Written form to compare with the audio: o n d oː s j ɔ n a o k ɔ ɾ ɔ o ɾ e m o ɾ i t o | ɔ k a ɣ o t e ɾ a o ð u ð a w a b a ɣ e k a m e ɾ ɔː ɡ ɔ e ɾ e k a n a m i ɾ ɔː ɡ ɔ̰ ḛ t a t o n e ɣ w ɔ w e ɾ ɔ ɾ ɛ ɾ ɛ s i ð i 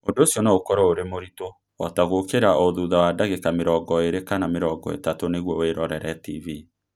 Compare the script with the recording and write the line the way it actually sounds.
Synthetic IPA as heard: o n d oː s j ɔ n a o k ɔ ɾ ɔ o ɾ e m o ɾ i t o | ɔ t a ɣ o k e ɾ a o ð u ð a w a d a ɣ e k a m e ɾ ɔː ɡ ɔ e ɾ e k a n a m e ɾ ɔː ɡ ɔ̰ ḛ t a t o n e ɣ w ɔ w e ɾ ɔ ɾ ɛ ɾ ɛ t i v i